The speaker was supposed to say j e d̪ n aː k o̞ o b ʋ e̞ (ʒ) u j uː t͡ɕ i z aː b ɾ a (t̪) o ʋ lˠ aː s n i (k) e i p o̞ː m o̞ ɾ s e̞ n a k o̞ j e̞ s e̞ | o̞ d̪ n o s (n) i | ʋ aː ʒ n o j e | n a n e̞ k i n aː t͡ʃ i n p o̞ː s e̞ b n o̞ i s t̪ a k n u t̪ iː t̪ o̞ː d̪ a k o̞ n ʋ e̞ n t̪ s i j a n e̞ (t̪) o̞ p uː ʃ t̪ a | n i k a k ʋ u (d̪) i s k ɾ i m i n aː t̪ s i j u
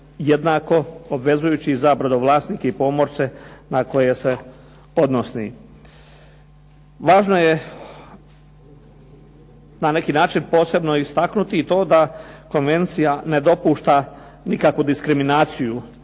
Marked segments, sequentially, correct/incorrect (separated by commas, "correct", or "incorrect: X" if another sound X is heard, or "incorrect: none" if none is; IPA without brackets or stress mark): incorrect: z, incorrect: d̪, correct, correct, incorrect: d̪, correct